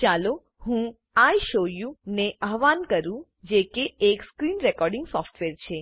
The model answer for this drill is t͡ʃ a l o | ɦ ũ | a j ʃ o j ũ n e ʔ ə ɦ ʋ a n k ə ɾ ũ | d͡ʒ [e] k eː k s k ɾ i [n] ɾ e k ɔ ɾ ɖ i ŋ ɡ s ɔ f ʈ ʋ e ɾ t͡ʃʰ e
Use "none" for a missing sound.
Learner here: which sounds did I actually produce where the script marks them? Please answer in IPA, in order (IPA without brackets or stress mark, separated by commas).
e, n